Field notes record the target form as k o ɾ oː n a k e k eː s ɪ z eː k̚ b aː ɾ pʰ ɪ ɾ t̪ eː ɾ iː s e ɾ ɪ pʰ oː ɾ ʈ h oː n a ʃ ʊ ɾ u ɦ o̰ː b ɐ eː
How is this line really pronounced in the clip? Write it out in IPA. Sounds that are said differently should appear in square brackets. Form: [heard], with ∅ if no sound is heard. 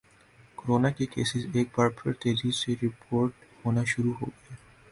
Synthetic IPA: k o ɾ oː n a k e k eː s ɪ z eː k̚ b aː ɾ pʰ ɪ ɾ t̪ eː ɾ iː s e ɾ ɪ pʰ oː ɾ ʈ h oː n a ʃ ʊ ɾ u ɦ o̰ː [ɡ] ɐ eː